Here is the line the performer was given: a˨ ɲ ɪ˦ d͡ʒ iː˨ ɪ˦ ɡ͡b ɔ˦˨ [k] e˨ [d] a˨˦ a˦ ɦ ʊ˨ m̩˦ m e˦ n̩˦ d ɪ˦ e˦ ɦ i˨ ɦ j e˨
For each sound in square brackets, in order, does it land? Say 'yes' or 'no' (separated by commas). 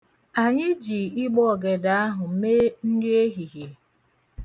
no, yes